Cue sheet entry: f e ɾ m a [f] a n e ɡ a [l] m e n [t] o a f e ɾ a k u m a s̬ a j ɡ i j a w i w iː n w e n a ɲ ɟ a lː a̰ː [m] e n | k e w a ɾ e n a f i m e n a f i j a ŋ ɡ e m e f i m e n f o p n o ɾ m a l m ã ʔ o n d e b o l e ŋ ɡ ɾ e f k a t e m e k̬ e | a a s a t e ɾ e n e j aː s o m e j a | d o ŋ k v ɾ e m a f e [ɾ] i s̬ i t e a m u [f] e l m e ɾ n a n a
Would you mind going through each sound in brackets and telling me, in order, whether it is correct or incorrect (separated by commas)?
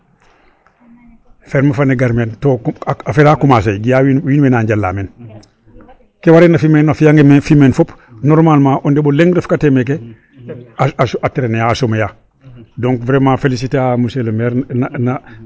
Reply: correct, incorrect, correct, correct, incorrect, incorrect